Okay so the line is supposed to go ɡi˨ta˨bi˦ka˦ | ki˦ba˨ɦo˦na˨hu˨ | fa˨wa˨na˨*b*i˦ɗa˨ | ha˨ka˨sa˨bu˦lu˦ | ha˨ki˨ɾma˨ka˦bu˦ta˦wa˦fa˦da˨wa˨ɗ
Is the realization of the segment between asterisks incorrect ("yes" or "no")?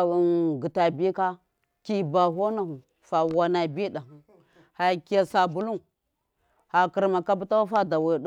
no